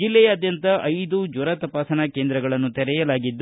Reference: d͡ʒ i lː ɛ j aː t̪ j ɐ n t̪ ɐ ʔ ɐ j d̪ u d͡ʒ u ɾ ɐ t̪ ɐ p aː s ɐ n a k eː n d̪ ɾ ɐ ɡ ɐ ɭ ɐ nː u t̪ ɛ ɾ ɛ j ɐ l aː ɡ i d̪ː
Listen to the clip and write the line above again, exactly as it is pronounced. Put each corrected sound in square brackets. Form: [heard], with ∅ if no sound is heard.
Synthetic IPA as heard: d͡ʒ i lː ɛ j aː [d̪] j ɐ n t̪ ɐ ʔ ɐ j d̪ u d͡ʒ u ɾ ɐ t̪ ɐ p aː s ɐ n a k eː n d̪ ɾ ɐ ɡ ɐ ɭ ɐ nː u t̪ ɛ ɾ ɛ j ɐ l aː ɡ i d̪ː

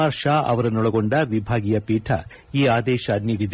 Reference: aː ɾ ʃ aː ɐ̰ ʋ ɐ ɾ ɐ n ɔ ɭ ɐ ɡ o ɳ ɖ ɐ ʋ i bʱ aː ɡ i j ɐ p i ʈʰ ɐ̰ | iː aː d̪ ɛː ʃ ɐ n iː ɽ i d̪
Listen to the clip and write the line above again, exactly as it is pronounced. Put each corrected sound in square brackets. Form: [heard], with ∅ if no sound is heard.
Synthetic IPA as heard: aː ɾ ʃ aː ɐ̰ ʋ ɐ ɾ ɐ n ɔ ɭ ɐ ɡ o ɳ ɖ ɐ ʋ i bʱ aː ɡ i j ɐ p [iː] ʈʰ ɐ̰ | iː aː d̪ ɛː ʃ ɐ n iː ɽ i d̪

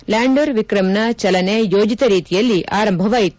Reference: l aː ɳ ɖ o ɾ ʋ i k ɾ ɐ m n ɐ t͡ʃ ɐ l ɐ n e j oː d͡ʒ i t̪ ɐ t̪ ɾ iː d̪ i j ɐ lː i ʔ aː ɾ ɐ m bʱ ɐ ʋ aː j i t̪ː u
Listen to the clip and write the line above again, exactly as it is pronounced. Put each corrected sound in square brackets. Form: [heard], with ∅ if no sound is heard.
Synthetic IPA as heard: l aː ɳ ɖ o ɾ ʋ i k ɾ ɐ m n ɐ t͡ʃ ɐ l ɐ n e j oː d͡ʒ i t̪ ɐ [∅] ɾ iː [t̪] i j ɐ lː i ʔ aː ɾ ɐ m bʱ ɐ ʋ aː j i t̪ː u

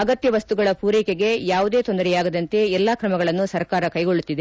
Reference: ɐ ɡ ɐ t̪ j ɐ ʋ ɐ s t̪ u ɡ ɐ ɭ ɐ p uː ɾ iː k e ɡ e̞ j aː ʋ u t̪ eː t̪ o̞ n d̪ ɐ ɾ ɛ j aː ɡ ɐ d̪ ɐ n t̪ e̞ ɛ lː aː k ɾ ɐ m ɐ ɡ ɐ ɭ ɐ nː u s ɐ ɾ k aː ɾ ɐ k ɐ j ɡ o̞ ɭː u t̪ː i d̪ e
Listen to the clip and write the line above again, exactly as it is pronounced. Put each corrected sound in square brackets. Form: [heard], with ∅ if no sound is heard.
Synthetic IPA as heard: ɐ ɡ ɐ t̪ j ɐ ʋ ɐ s t̪ u ɡ ɐ ɭ ɐ p uː ɾ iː k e ɡ e̞ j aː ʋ u [d̪] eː t̪ o̞ n d̪ ɐ ɾ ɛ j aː ɡ ɐ d̪ ɐ n t̪ e̞ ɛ lː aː k ɾ ɐ m ɐ ɡ ɐ ɭ ɐ nː u s ɐ ɾ k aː ɾ ɐ k ɐ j ɡ o̞ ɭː u t̪ː i d̪ e

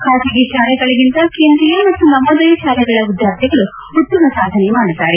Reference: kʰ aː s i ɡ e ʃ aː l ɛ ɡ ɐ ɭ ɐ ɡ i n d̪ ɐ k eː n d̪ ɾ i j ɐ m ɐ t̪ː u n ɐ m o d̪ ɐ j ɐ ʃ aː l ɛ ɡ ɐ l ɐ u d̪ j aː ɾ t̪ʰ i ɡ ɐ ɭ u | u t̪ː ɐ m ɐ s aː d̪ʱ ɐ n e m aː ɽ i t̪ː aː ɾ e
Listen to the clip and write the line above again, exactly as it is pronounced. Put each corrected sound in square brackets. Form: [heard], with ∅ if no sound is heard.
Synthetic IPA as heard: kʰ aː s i ɡ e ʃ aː l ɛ ɡ ɐ ɭ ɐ ɡ i n [t̪] ɐ k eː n d̪ ɾ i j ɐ m ɐ t̪ː u n ɐ m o d̪ ɐ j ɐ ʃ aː l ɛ ɡ ɐ [ɭ] ɐ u d̪ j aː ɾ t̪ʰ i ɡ ɐ ɭ u | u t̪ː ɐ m ɐ s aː d̪ʱ ɐ n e m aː ɽ i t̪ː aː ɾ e

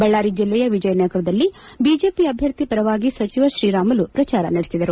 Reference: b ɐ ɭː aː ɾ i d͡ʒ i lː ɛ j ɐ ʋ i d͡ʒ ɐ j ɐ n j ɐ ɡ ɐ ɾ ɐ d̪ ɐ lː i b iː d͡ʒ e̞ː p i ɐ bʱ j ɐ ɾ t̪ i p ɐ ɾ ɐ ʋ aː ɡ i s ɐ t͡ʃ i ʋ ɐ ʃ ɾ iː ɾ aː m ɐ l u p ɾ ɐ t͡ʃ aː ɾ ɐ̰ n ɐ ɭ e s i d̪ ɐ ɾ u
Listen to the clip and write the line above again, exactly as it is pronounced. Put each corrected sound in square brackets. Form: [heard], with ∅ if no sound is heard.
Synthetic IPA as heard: b ɐ ɭː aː ɾ i d͡ʒ i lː ɛ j ɐ ʋ i d͡ʒ ɐ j ɐ n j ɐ ɡ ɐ ɾ ɐ d̪ ɐ lː i b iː d͡ʒ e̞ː p i ɐ bʱ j ɐ ɾ t̪ i p ɐ ɾ ɐ ʋ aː ɡ i s ɐ t͡ʃ i ʋ ɐ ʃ ɾ iː ɾ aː m ɐ l u p ɾ ɐ t͡ʃ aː ɾ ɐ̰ n ɐ [ɽ] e s i d̪ ɐ ɾ u

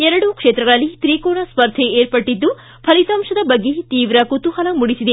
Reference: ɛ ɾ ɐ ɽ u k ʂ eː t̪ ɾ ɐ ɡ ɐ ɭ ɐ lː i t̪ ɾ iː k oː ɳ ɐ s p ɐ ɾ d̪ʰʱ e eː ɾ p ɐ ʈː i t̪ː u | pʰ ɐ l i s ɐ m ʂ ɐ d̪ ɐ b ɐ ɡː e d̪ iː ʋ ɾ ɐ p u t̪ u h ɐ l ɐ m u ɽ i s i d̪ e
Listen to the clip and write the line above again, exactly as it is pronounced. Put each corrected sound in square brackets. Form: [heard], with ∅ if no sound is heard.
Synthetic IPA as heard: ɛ ɾ ɐ ɽ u k ʂ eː t̪ ɾ ɐ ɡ ɐ ɭ ɐ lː i t̪ ɾ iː k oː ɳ ɐ s p ɐ ɾ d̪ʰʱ e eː ɾ p ɐ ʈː i [d̪ː] u | pʰ ɐ l i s ɐ m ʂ ɐ d̪ ɐ b ɐ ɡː e [t̪] iː ʋ ɾ ɐ [k] u t̪ u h ɐ l ɐ m u ɽ i s i d̪ e

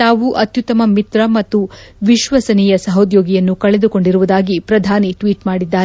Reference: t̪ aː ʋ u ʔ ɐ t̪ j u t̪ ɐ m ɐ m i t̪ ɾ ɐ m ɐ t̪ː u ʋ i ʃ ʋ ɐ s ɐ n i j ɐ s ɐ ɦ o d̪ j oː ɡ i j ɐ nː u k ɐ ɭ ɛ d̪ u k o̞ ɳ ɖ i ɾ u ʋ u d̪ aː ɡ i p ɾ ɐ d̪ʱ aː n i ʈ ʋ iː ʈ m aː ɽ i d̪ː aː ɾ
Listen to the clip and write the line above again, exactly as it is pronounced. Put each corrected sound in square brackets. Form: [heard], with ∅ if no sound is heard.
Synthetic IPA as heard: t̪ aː ʋ u ʔ ɐ t̪ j u t̪ ɐ m ɐ m i t̪ ɾ ɐ m ɐ t̪ː u ʋ i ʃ ʋ ɐ s ɐ n i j ɐ s ɐ ɦ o d̪ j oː ɡ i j ɐ nː u k ɐ ɭ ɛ d̪ u k o̞ ɳ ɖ i ɾ u ʋ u d̪ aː ɡ i p ɾ ɐ d̪ʱ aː n i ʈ ʋ iː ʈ m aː ɽ i d̪ː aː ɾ

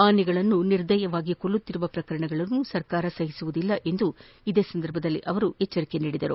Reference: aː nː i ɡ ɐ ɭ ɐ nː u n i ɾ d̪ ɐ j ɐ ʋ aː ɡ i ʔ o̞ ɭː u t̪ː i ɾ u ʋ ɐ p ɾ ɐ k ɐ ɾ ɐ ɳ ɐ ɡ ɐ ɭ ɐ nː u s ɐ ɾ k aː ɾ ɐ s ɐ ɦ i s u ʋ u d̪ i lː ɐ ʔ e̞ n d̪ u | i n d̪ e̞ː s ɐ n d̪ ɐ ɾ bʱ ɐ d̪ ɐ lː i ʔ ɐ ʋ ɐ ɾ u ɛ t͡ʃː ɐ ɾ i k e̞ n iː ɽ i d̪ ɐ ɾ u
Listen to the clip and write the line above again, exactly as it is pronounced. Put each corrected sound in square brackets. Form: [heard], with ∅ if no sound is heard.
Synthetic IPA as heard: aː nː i ɡ ɐ ɭ ɐ nː u n i ɾ d̪ ɐ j ɐ ʋ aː ɡ i [k] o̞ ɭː u t̪ː i ɾ u ʋ ɐ p ɾ ɐ k ɐ ɾ ɐ ɳ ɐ ɡ ɐ ɭ ɐ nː u s ɐ ɾ k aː ɾ ɐ s ɐ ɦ i s u ʋ u d̪ i lː ɐ ʔ e̞ n d̪ u | i [∅] d̪ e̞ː s ɐ n d̪ ɐ ɾ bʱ ɐ d̪ ɐ lː i ʔ ɐ ʋ ɐ ɾ u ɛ t͡ʃː ɐ ɾ i k e̞ n iː ɽ i d̪ ɐ ɾ u

